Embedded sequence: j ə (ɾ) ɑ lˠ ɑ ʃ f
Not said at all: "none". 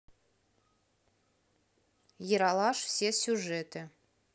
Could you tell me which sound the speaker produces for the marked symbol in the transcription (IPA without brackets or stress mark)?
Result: ɾ